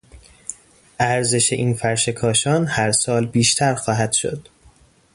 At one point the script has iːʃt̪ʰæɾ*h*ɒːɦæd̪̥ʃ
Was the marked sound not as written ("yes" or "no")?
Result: yes